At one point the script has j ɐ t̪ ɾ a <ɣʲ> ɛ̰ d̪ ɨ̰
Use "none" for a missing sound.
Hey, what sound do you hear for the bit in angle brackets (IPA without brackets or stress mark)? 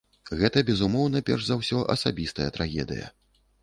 ɣʲ